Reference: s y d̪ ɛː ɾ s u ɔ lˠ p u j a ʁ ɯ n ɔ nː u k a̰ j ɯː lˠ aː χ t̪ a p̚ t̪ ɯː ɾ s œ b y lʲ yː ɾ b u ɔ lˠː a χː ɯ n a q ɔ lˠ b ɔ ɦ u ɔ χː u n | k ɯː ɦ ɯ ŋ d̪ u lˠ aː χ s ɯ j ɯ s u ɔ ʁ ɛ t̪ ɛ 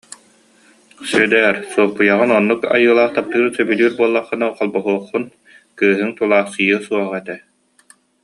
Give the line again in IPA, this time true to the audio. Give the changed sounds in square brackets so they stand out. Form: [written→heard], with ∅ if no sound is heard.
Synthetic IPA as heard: s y d̪ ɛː ɾ s u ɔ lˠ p u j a ʁ ɯ n ɔ nː u k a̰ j ɯː lˠ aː χ t̪ a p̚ t̪ ɯː ɾ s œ b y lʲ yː ɾ b u ɔ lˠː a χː ɯ n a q ɔ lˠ b ɔ ɦ u ɔ χː u n | k ɯː ɦ ɯ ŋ [d̪→t̪] u lˠ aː χ s ɯ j ɯ s u ɔ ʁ ɛ t̪ ɛ